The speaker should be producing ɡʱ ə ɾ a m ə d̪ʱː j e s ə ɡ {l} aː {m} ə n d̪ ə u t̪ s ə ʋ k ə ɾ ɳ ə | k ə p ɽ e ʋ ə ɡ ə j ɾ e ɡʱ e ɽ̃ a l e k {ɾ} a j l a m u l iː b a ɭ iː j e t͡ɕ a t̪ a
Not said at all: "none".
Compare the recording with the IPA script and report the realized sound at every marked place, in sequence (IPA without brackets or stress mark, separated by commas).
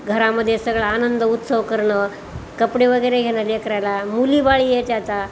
ɭ, n, ɾ